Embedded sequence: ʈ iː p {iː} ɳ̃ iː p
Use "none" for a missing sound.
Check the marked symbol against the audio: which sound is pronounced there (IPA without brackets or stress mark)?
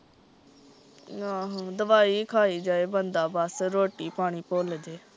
aː